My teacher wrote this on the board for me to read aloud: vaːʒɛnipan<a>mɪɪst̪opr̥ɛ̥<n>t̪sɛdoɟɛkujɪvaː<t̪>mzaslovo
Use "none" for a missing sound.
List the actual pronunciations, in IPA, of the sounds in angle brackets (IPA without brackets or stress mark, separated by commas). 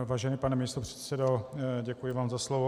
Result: ɛ, none, none